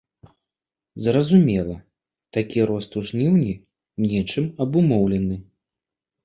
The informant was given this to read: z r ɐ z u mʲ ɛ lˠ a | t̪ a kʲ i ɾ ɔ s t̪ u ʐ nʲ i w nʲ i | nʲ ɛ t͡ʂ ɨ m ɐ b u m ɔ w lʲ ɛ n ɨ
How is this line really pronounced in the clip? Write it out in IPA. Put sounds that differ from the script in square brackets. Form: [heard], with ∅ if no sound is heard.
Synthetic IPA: z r ɐ z u mʲ ɛ lˠ [ɐ] | t̪ a kʲ i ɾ ɔ s t̪ u ʐ nʲ i w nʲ i | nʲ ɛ t͡ʂ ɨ m ɐ b u m ɔ w lʲ ɛ n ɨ